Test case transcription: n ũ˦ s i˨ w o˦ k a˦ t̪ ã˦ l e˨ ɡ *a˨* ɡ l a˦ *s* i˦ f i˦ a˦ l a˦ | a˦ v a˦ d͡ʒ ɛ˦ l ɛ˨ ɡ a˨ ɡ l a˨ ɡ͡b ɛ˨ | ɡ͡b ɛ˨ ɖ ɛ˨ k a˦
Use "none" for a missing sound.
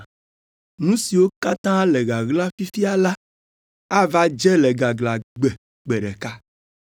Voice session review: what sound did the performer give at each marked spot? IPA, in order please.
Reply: a˨, f

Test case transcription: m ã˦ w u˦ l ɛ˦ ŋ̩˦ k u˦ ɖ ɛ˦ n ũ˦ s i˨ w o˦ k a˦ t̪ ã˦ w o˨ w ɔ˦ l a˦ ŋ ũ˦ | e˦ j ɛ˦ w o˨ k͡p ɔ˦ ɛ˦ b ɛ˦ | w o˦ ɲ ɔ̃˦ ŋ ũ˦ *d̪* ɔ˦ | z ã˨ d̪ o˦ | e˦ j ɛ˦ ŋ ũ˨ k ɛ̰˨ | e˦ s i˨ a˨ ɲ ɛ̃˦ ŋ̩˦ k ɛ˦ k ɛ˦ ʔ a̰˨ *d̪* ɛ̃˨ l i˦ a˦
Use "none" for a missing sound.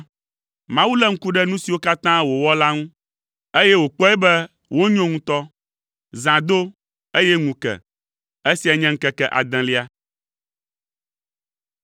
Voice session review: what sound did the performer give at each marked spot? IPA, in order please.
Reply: t̪, d̪

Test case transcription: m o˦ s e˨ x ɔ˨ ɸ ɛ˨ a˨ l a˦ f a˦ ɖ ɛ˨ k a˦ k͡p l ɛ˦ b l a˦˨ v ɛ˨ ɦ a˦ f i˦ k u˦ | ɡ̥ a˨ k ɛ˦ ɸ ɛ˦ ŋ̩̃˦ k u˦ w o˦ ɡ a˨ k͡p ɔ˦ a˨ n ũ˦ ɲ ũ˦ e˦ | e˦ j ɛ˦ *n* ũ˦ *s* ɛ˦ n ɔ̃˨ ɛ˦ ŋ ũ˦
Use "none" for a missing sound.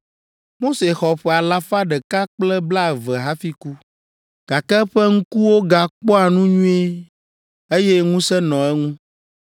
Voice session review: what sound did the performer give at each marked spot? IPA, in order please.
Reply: ŋ, s

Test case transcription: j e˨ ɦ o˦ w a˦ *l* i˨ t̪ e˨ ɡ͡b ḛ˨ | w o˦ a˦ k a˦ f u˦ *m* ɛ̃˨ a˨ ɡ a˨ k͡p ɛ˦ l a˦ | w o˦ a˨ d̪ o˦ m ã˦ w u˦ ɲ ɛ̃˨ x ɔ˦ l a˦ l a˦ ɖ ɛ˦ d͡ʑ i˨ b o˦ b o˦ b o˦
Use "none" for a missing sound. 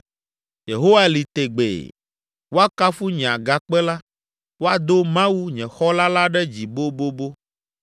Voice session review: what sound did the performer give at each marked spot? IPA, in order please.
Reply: l, ɲ

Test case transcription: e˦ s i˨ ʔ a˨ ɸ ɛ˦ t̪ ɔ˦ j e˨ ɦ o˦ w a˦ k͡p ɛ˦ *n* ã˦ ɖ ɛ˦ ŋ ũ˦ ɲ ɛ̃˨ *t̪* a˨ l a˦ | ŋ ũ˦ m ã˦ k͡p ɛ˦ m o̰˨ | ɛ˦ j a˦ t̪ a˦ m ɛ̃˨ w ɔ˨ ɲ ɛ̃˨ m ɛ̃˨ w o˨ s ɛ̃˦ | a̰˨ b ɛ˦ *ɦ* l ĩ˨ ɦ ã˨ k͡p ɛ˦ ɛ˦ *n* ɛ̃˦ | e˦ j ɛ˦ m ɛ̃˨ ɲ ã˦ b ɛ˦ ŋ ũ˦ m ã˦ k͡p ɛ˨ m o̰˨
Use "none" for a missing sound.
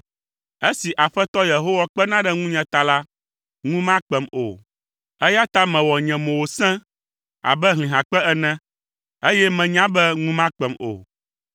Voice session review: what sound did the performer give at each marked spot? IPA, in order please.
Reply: n, t̪, ɦ, n

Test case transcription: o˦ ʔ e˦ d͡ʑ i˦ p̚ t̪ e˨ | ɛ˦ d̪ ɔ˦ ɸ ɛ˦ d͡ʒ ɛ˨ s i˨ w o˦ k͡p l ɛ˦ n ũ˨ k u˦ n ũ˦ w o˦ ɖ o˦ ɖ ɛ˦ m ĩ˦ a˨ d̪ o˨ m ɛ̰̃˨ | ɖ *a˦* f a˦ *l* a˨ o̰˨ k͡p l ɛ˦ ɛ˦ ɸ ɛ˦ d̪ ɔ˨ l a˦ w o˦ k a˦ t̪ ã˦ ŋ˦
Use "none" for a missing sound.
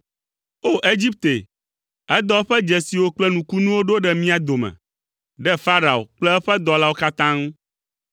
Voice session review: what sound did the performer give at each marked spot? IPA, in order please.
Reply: ɛ˦, ɾ

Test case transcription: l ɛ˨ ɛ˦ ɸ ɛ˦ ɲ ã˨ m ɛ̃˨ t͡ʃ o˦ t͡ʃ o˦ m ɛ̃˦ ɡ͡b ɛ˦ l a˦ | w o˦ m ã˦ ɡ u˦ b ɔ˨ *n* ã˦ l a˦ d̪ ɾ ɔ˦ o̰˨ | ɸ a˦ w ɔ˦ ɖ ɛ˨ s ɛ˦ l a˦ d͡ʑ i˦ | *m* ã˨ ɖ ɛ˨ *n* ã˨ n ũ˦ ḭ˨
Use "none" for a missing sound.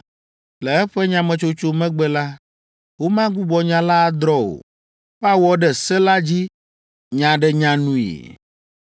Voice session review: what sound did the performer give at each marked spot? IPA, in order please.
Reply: ɲ, ɲ, ɲ

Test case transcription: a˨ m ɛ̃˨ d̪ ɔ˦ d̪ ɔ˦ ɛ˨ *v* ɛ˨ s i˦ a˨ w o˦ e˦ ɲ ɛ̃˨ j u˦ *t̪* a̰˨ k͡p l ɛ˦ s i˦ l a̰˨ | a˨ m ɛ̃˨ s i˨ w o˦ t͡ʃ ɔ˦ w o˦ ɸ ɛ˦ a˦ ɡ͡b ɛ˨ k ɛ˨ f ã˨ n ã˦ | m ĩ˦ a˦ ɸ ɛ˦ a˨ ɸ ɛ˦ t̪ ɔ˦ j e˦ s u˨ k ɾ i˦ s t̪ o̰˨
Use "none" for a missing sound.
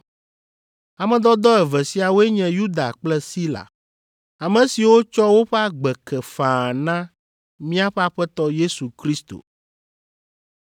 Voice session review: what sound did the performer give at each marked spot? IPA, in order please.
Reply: v, d̪

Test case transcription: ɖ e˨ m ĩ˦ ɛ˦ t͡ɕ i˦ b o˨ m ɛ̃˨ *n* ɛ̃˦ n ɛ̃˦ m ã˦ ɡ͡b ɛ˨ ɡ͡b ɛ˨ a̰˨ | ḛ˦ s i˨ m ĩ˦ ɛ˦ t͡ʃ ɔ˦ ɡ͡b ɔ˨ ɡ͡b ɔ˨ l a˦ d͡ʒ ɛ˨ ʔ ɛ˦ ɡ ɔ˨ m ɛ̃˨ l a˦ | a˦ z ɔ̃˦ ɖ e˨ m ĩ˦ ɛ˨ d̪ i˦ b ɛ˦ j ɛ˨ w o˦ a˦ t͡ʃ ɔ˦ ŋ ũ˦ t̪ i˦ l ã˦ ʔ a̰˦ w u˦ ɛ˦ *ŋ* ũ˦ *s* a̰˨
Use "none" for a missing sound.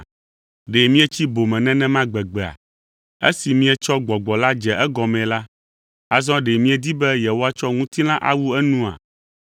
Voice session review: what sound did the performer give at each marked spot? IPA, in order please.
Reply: n, n, none

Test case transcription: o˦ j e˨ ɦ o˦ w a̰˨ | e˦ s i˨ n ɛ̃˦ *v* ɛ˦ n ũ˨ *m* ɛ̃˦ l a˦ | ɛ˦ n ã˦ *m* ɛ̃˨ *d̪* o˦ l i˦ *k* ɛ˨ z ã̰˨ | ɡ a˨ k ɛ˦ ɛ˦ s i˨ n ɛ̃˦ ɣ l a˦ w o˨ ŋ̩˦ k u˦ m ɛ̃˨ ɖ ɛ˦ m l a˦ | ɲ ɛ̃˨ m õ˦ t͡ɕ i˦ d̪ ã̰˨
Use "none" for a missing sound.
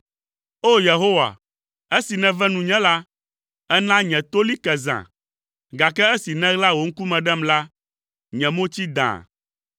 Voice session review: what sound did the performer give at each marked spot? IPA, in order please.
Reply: v, ɲ, ɲ, t̪, k

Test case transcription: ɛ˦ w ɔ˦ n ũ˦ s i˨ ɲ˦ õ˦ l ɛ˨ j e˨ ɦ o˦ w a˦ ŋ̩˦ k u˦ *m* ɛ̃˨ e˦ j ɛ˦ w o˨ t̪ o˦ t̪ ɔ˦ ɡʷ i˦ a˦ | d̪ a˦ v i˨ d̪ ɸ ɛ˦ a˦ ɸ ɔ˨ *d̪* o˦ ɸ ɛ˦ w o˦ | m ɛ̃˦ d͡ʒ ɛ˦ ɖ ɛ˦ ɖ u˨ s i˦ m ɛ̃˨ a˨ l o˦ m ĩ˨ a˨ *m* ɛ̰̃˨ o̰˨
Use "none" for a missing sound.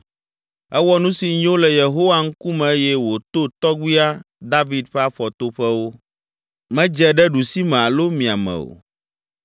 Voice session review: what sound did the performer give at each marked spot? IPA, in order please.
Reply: m, t̪, m

